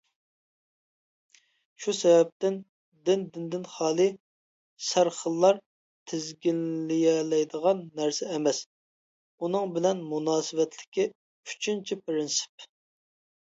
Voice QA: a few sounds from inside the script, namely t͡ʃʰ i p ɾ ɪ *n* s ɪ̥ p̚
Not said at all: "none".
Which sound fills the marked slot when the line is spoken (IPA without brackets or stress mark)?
n